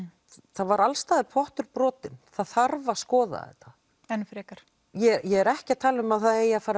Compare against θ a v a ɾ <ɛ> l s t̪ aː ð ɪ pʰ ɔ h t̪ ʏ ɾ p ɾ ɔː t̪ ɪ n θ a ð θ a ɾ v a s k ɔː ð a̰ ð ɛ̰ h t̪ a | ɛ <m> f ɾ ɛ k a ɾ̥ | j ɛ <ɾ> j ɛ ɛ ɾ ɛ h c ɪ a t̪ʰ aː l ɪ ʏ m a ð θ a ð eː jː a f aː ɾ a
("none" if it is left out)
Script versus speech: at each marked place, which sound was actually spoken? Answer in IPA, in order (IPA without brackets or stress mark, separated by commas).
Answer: a, n, none